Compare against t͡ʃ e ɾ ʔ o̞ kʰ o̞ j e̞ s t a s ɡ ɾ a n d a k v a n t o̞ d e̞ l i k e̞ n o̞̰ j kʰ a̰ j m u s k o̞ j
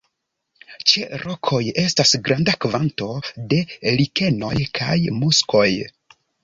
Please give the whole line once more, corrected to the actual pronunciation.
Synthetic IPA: t͡ʃ e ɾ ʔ o̞ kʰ o̞ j e̞ s t a s ɡ ɾ a n d a k v a n t o̞ d e̞ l i k e̞ n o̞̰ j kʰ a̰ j m u s k o̞ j